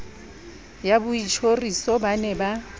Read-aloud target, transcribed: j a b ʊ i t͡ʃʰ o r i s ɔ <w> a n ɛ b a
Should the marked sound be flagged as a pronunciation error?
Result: yes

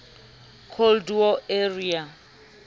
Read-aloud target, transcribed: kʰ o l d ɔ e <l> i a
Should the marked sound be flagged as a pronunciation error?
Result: yes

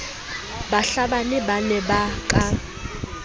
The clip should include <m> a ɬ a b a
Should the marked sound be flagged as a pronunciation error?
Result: yes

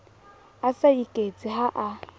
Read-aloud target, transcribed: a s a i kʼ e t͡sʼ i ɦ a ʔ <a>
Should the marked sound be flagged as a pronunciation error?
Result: no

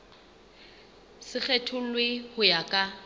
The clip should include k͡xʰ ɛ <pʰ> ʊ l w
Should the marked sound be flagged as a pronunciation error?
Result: yes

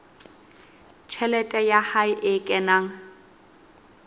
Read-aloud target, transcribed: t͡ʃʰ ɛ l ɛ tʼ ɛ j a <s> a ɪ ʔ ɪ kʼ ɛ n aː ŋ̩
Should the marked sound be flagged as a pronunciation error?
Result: yes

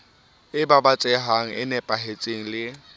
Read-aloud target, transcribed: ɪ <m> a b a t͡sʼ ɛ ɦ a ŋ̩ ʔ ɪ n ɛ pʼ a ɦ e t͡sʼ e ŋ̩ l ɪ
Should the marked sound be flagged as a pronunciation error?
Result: yes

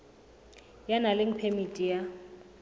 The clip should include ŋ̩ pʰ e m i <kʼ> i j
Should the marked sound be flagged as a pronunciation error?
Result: yes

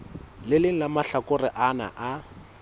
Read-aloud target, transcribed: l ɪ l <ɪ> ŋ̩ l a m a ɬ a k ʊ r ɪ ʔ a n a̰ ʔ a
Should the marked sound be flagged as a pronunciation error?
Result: no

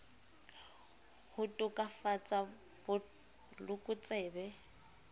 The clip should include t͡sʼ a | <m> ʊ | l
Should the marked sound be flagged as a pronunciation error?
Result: yes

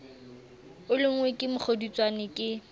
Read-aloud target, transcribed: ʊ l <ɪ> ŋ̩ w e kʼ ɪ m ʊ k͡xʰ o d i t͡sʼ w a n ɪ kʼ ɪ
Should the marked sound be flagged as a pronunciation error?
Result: no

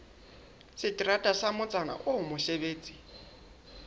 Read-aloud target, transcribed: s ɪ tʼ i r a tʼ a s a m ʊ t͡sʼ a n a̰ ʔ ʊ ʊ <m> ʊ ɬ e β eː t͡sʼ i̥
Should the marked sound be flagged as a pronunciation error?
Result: no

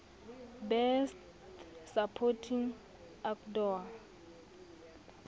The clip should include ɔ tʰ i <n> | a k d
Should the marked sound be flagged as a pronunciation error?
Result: yes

